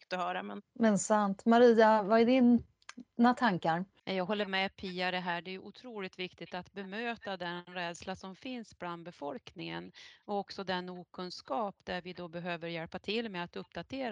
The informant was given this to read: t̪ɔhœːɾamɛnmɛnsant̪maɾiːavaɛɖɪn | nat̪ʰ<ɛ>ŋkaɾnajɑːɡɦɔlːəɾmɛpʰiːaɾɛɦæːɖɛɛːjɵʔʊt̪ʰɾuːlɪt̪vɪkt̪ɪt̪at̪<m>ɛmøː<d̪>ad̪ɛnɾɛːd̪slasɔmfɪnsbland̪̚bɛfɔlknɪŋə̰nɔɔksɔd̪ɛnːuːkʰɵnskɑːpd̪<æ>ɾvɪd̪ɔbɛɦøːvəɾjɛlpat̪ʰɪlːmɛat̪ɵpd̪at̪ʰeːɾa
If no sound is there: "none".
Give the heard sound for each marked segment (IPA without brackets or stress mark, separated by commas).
a, b, t̪, æ